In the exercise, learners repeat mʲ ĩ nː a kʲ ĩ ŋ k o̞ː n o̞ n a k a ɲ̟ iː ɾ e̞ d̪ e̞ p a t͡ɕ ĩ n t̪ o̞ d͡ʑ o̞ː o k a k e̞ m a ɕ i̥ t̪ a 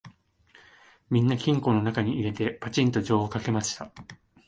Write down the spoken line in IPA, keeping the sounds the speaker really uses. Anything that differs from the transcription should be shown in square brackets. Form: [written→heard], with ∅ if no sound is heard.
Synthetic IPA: mʲ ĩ nː a kʲ ĩ ŋ k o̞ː n o̞ n a k a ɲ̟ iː ɾ e̞ [d̪→t̪] e̞ p a t͡ɕ ĩ n t̪ o̞ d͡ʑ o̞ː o k a k e̞ m a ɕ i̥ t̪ a